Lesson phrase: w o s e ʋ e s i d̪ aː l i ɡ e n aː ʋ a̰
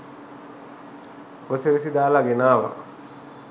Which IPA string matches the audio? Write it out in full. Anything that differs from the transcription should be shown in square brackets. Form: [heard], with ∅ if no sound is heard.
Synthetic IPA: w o s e ʋ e s i d̪ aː l [a] ɡ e n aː ʋ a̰